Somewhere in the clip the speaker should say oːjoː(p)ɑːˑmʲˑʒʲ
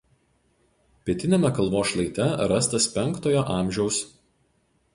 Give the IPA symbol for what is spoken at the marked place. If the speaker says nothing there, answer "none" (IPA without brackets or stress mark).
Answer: ʔ